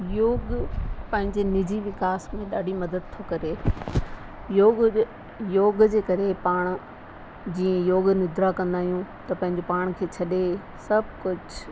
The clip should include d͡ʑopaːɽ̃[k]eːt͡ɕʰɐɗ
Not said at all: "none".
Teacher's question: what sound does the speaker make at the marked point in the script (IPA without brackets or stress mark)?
kʰ